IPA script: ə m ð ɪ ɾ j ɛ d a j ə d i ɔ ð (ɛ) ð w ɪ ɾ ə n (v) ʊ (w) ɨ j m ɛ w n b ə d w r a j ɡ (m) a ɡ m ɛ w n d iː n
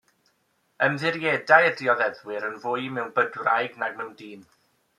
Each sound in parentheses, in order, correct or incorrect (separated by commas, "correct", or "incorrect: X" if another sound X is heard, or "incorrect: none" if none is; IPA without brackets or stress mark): correct, correct, incorrect: none, incorrect: n